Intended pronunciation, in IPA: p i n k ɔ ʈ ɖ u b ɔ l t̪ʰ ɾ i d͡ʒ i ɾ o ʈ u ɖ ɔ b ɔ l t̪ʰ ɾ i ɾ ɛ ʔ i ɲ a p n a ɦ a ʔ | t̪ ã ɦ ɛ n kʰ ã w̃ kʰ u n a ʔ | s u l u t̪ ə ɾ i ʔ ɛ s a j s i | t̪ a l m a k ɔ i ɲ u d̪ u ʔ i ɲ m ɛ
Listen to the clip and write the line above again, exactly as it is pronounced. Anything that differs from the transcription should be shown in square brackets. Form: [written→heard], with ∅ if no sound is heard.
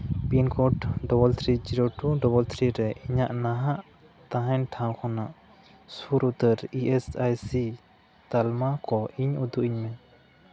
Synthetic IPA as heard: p i n k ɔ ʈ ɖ [u→ɔ] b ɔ l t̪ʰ ɾ i d͡ʒ i ɾ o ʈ u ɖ ɔ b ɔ l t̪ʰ ɾ i ɾ ɛ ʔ i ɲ a [p→ʔ] n a ɦ a ʔ | t̪ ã ɦ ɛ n [kʰ→ʈʰ] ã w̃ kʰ [u→ɔ] n a ʔ | s u [l→ɾ] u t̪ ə ɾ i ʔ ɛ s a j s i | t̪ a l m a k ɔ i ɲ u d̪ u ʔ i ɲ m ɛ